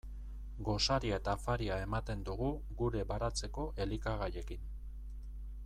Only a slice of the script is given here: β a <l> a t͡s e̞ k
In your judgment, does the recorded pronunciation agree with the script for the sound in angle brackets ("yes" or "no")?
no